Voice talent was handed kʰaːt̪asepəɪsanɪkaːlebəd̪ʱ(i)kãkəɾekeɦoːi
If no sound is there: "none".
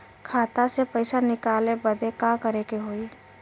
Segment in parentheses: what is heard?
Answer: e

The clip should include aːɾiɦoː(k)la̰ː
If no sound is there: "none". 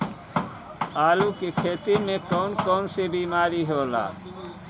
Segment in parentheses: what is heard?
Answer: none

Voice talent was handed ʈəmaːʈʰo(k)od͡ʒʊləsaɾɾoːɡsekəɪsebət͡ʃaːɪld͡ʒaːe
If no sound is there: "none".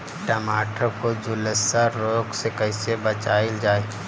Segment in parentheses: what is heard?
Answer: k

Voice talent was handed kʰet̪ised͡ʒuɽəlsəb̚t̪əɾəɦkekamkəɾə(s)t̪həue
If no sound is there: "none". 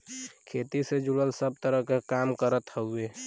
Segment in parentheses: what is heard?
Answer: none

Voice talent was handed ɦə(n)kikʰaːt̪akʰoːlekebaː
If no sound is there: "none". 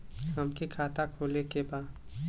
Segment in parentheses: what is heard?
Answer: m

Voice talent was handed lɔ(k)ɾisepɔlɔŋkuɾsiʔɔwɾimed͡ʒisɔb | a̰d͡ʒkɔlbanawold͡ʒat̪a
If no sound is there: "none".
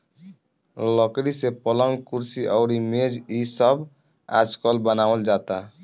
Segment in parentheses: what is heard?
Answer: k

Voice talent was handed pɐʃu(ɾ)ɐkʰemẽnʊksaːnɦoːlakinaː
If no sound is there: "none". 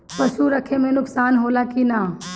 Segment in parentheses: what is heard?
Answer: ɾ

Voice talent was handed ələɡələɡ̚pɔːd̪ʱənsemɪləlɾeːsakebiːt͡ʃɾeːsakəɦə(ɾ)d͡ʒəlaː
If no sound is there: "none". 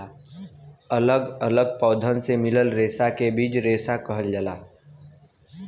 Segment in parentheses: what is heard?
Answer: l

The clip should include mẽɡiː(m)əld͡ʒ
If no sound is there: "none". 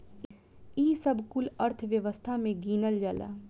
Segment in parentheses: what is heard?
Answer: n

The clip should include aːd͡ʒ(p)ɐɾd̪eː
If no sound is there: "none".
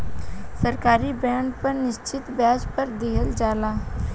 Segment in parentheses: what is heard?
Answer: p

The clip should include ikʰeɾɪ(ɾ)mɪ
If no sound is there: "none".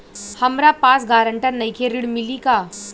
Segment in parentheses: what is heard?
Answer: ɽ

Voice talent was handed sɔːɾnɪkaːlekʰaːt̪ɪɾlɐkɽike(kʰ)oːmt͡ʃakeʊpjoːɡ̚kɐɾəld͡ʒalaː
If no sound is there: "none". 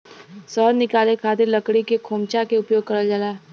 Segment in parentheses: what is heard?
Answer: kʰ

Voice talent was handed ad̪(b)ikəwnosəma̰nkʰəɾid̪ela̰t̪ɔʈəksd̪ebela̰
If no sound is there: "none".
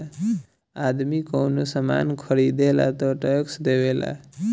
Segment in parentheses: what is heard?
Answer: m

